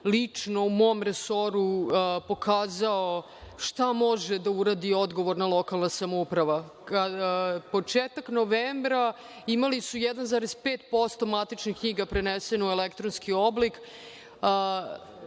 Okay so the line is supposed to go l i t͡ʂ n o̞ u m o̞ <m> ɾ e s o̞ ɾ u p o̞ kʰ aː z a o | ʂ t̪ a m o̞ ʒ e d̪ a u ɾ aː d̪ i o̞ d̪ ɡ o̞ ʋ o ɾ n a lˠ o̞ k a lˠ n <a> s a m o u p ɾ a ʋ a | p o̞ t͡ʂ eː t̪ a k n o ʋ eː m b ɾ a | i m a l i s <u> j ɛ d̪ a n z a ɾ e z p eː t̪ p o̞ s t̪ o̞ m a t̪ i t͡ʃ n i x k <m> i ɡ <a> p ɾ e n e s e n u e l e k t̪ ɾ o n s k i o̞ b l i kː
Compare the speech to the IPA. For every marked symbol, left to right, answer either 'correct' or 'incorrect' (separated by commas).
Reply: correct, correct, correct, incorrect, correct